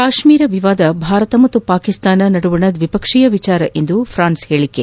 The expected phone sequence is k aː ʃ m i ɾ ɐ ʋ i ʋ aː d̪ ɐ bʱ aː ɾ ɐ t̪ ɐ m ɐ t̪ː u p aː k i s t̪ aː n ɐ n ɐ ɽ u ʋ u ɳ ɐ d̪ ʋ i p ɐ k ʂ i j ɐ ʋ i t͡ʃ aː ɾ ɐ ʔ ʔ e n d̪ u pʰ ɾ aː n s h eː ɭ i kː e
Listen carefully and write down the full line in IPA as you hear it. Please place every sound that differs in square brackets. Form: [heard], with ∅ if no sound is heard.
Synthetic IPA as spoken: k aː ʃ m [iː] ɾ ɐ ʋ i ʋ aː d̪ ɐ bʱ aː ɾ ɐ t̪ ɐ m ɐ t̪ː u p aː k i s t̪ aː n ɐ n ɐ ɽ u ʋ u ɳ ɐ d̪ ʋ i p ɐ k ʂ i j ɐ ʋ i t͡ʃ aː ɾ ɐ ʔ ʔ e n d̪ u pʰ ɾ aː n s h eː ɭ i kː e